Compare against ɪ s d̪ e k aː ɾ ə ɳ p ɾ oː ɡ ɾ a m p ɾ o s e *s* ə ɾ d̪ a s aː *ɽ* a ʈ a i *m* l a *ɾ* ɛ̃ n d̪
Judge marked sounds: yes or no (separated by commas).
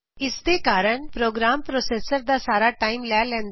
yes, no, yes, no